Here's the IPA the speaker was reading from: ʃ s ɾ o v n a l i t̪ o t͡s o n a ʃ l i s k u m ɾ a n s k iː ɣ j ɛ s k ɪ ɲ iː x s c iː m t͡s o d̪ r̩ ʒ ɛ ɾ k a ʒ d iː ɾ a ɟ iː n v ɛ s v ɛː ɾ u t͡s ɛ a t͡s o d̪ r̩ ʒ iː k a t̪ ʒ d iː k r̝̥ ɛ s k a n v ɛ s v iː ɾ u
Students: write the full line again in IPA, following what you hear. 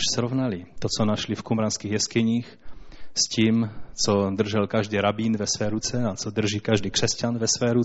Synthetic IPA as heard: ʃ s ɾ o v n a l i t̪ o t͡s o n a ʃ l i f k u m ɾ a n s k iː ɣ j ɛ s k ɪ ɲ iː x s c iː m t͡s o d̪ r̩ ʒ ɛ l k a ʒ d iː ɾ a b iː n v ɛ s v ɛː ɾ u t͡s ɛ a t͡s o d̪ r̩ ʒ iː k a ʒ d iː k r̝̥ ɛ s c a n v ɛ s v ɛː ɾ u